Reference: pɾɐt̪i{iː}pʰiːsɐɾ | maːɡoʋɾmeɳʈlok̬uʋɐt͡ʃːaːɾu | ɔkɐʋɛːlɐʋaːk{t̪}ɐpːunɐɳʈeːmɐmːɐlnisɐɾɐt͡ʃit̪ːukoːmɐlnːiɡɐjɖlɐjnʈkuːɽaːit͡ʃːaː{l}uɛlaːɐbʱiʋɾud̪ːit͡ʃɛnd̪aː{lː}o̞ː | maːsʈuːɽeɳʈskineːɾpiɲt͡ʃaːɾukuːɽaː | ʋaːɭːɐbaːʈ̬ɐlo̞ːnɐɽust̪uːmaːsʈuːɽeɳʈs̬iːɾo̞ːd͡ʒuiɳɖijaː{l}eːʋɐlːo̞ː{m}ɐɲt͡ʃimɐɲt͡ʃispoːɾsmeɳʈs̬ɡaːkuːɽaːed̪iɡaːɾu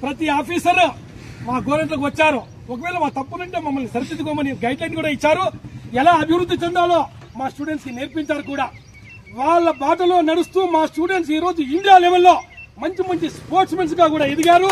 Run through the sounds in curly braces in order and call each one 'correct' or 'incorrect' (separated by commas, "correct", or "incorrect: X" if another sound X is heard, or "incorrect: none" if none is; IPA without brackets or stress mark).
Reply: incorrect: aː, correct, incorrect: ɾ, incorrect: l, correct, correct